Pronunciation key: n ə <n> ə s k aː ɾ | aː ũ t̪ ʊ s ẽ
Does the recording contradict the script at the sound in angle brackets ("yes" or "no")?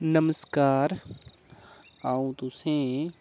yes